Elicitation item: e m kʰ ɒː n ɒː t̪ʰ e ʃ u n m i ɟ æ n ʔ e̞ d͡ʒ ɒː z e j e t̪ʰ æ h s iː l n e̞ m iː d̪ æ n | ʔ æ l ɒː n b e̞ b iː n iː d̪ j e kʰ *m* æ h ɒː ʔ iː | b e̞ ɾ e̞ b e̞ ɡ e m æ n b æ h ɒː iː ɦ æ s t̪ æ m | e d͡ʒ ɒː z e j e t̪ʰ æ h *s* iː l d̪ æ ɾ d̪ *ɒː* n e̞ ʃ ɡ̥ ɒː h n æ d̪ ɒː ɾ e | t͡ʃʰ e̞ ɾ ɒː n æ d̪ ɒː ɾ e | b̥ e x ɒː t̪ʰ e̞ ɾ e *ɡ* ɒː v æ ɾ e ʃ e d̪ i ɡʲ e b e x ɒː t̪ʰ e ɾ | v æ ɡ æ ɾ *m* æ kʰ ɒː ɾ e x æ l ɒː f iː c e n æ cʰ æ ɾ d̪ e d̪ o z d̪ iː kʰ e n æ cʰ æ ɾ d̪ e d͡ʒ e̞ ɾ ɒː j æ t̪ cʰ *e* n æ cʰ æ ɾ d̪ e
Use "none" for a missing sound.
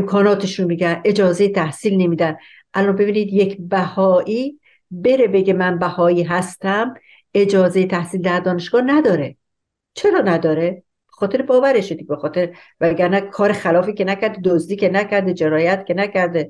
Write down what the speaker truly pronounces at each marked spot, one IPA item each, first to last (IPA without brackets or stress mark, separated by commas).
b, s, ɒː, b, n, e